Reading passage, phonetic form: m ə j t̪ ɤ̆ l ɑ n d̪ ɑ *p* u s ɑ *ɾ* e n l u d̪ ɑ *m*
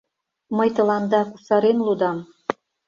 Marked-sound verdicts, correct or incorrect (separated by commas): incorrect, correct, correct